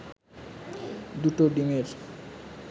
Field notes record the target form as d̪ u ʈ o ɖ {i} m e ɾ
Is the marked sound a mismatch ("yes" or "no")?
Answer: no